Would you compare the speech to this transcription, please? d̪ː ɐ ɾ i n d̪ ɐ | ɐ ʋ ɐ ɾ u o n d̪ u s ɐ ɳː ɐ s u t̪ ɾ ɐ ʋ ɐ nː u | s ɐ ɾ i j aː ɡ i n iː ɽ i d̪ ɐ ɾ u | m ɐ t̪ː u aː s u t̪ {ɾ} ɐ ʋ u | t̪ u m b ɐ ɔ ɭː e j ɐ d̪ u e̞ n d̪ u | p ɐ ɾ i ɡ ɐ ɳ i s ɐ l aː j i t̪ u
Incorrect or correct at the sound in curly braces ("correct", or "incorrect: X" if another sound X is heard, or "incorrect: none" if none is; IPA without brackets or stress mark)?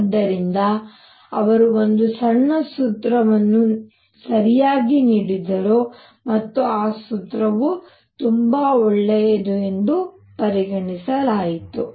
correct